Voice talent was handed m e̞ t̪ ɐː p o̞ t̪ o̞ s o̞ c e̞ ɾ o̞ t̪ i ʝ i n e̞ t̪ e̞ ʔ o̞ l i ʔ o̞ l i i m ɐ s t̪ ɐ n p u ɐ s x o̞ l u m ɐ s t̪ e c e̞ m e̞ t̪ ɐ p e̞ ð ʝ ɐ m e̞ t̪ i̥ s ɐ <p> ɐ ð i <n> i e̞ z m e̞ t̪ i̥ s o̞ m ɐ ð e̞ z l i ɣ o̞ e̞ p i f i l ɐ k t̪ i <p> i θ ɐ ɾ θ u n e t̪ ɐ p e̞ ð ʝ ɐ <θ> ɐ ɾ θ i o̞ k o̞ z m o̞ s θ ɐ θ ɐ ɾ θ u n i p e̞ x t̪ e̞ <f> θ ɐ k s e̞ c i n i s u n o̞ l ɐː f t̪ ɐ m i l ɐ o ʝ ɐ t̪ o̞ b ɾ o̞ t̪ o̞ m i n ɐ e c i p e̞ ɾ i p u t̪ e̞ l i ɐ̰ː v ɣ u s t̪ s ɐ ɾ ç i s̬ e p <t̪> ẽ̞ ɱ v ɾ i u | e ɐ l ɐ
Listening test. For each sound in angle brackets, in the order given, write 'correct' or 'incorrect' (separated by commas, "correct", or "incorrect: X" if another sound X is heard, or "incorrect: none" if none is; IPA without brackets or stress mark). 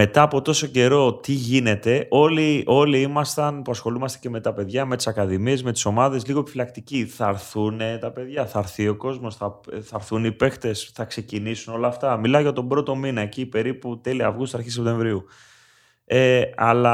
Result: incorrect: k, incorrect: m, incorrect: c, correct, incorrect: s, correct